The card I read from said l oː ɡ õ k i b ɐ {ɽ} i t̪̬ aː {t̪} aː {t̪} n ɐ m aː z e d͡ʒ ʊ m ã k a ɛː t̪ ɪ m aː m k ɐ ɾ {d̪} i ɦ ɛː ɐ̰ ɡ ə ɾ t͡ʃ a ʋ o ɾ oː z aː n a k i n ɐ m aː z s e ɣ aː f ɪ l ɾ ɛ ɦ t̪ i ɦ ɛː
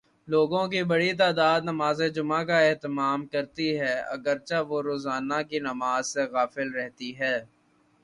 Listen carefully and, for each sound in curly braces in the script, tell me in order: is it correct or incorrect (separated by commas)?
correct, incorrect, incorrect, incorrect